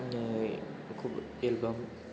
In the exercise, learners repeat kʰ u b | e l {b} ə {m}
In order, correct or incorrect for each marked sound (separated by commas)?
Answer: correct, correct